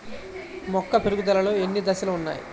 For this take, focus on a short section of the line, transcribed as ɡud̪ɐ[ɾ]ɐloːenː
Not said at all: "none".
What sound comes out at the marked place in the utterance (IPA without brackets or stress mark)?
l